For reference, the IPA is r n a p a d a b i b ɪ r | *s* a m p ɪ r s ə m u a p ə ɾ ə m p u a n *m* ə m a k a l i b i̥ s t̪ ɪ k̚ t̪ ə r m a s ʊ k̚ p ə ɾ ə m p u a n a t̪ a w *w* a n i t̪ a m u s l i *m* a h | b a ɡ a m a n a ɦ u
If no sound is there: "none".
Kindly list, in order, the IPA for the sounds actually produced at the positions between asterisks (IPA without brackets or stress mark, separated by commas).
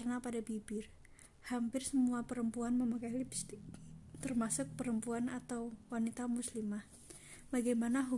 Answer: h, m, w, m